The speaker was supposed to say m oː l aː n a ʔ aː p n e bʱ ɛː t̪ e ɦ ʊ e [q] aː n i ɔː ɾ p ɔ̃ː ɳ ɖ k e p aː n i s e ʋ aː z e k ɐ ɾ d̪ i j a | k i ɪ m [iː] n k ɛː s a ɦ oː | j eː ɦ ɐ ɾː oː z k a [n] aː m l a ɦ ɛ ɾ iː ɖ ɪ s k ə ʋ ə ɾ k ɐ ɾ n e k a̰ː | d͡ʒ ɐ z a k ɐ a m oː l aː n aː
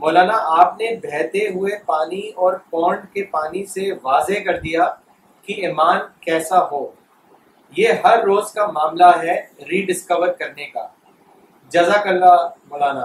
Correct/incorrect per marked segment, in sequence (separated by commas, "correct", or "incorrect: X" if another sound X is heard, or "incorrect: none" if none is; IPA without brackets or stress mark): incorrect: p, incorrect: aː, incorrect: m